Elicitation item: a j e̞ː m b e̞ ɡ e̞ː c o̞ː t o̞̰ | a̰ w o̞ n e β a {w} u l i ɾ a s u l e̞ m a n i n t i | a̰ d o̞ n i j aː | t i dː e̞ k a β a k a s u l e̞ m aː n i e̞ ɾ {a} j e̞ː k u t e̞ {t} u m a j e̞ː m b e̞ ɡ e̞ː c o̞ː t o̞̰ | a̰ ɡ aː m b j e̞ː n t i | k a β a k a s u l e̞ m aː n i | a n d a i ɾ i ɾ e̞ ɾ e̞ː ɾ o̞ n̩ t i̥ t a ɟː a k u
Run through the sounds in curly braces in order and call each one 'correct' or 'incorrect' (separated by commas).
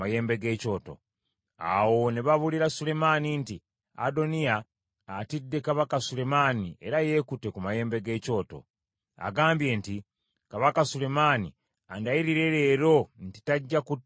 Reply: incorrect, correct, incorrect